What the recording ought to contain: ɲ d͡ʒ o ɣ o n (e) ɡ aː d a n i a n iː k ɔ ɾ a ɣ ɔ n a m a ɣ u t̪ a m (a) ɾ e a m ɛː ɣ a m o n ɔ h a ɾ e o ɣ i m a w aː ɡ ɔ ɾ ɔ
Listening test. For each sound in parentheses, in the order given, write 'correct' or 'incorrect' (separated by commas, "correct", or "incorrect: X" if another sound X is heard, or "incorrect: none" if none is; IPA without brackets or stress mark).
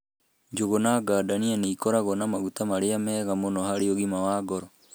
incorrect: a, correct